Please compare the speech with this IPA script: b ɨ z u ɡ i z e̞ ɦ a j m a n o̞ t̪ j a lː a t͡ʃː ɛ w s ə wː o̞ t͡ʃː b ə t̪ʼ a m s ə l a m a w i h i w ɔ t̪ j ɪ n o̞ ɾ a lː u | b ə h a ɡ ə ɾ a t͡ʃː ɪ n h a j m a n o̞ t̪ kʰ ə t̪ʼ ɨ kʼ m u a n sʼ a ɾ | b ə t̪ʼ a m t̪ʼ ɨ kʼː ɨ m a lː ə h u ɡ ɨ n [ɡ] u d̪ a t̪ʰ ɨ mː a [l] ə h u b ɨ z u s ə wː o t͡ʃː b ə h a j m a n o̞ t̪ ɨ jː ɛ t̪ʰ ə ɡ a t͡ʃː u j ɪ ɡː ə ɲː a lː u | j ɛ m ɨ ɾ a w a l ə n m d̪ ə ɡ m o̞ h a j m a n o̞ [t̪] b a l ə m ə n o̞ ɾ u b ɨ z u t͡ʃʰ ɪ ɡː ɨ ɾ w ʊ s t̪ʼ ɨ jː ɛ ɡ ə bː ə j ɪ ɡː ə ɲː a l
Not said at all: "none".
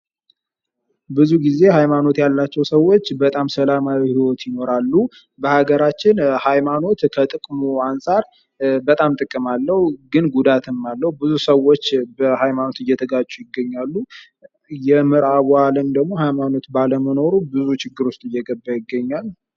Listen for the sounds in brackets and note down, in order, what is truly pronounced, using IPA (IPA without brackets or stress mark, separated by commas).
ɡ, lː, t̪